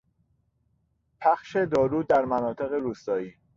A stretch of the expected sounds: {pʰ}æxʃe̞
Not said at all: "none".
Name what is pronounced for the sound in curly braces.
pʰ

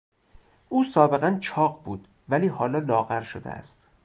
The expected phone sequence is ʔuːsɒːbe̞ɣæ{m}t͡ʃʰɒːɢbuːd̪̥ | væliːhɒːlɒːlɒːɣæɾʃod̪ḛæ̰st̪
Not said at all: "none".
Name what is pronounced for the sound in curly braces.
n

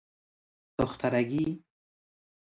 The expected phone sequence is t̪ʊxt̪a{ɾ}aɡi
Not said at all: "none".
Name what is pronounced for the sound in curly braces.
ɾ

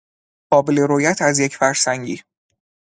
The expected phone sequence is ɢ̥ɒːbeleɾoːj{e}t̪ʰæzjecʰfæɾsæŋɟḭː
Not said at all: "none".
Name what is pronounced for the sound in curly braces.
æ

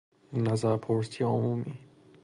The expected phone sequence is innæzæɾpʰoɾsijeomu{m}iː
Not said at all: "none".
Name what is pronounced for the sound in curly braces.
m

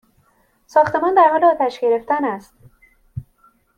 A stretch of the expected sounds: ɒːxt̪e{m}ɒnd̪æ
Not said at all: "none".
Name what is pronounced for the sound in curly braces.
m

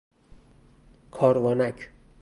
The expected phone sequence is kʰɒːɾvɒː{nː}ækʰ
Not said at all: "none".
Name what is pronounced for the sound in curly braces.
n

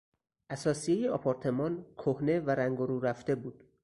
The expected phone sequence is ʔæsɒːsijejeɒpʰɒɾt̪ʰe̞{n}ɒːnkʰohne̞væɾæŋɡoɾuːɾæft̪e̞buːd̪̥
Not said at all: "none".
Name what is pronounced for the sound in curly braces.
m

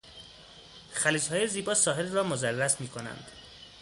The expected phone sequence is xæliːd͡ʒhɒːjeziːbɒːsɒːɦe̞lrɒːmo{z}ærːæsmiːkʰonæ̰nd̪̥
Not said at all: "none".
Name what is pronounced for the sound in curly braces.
z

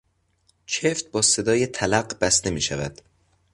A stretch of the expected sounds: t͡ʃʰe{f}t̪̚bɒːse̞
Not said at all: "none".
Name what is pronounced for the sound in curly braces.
f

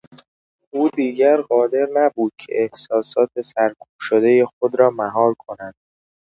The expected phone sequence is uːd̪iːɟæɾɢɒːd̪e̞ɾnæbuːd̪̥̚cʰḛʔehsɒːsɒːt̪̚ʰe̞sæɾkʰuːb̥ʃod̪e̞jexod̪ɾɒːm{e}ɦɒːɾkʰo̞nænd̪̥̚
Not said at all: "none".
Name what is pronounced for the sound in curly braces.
æ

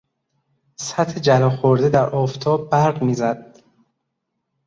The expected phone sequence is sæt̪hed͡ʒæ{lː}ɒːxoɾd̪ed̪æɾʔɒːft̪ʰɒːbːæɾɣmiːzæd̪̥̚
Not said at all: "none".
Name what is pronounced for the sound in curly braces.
l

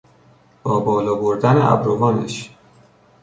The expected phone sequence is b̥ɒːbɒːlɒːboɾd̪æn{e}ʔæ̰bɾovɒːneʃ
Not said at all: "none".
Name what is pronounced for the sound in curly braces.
e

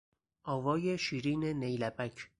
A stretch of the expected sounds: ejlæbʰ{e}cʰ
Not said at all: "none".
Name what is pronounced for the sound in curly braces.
æ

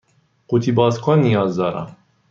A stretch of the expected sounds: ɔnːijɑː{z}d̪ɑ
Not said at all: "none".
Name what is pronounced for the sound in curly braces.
z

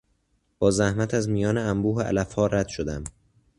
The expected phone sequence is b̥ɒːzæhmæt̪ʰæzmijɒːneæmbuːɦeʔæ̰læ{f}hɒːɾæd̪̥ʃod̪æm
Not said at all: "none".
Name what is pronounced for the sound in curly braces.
f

